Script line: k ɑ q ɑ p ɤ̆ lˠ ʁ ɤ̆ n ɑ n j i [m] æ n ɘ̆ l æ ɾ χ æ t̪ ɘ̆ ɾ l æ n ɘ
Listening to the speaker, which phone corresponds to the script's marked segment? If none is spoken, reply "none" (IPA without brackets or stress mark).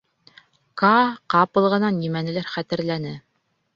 m